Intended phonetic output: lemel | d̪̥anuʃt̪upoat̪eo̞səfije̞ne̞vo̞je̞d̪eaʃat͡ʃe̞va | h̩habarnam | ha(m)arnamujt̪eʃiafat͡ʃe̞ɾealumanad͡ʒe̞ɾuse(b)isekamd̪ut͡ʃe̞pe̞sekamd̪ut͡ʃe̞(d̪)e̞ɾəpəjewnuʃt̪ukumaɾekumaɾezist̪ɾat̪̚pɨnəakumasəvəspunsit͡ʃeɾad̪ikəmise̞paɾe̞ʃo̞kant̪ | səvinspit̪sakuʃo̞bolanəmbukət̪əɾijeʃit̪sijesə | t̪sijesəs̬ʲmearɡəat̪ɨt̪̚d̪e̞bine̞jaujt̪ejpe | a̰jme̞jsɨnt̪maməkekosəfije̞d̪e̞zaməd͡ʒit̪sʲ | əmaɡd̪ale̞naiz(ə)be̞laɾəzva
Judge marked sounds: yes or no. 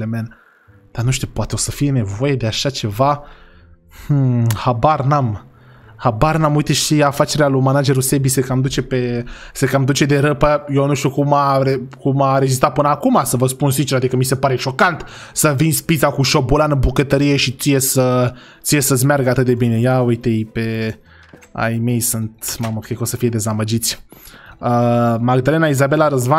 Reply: no, yes, yes, no

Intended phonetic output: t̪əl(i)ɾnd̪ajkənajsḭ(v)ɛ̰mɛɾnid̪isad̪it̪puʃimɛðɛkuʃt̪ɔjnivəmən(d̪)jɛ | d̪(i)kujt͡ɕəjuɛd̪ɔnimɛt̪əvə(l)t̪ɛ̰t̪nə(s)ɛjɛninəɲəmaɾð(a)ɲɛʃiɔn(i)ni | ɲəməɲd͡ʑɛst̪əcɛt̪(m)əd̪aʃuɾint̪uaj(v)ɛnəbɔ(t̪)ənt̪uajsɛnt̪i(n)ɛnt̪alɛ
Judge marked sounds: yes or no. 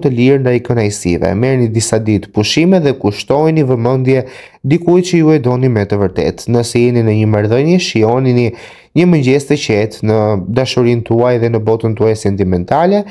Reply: yes, yes, yes, yes, no, yes, no, yes, no, no, yes, no

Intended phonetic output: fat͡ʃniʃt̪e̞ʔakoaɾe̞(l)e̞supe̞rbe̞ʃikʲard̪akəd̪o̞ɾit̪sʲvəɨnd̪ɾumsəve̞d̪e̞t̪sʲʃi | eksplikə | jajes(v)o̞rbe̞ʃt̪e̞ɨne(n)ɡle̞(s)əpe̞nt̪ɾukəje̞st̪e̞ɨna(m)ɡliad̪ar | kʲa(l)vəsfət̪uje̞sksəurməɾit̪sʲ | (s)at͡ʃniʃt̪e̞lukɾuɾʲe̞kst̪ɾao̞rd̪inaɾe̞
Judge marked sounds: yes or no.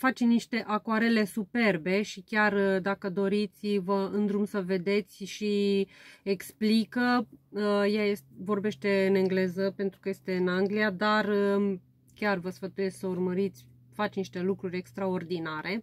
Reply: yes, yes, no, no, no, no, no

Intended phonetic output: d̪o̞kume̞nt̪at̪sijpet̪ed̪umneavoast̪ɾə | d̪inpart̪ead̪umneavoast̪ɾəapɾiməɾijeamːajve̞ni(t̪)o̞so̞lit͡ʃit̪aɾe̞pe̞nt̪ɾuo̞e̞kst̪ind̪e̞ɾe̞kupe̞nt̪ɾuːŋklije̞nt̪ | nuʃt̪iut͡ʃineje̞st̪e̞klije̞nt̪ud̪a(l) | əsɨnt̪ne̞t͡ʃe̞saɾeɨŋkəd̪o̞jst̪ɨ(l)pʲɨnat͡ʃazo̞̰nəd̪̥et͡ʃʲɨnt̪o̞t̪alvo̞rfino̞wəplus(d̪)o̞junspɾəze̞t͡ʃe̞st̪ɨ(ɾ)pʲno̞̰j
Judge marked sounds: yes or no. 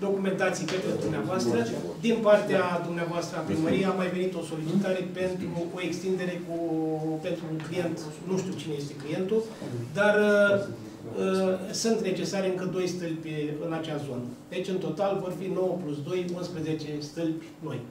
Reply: yes, no, yes, yes, no

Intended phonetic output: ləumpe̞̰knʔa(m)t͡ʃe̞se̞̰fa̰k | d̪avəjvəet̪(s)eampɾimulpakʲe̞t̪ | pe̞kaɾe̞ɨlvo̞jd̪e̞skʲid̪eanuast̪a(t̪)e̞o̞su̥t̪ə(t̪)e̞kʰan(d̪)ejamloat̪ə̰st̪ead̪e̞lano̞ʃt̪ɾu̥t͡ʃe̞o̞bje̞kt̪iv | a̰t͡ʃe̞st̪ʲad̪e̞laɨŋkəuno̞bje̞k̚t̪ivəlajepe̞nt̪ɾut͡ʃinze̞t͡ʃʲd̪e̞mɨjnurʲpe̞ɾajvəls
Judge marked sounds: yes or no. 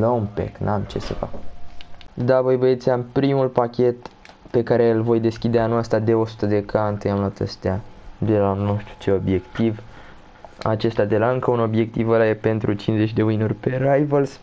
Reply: yes, yes, no, no, no

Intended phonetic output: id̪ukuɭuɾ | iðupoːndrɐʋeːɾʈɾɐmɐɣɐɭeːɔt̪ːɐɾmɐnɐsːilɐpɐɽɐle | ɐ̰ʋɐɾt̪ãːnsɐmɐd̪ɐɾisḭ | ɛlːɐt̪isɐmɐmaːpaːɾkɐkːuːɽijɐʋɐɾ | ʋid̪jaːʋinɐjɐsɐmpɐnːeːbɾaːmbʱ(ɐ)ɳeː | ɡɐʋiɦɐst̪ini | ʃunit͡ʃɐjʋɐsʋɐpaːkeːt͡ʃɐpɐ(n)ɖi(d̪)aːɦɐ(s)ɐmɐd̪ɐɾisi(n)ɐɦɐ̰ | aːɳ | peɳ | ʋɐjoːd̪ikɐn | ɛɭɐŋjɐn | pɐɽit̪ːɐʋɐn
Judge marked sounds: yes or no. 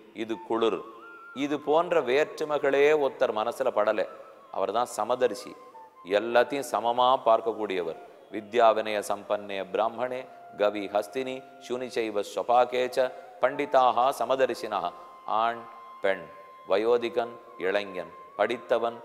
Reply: yes, no, no, yes, yes

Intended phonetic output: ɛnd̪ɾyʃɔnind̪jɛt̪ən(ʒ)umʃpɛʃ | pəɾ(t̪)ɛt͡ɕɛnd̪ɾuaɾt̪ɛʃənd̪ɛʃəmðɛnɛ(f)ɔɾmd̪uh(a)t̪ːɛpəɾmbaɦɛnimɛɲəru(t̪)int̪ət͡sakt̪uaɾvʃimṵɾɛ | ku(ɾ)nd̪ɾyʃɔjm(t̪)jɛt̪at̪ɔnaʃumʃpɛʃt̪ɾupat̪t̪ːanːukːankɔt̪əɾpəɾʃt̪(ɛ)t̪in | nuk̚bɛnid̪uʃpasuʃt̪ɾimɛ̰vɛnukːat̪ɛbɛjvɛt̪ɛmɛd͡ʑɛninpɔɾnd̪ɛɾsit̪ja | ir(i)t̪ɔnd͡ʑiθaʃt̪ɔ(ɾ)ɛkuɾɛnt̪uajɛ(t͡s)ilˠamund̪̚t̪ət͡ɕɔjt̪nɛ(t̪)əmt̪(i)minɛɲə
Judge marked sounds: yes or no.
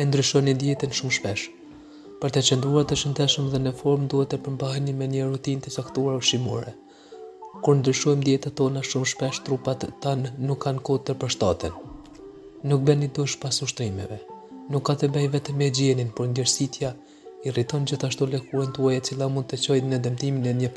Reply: no, yes, yes, no, yes, yes, no, no, yes, no, yes, no, yes

